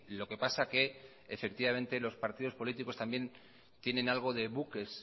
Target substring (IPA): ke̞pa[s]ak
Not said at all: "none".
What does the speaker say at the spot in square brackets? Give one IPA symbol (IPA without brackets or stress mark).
s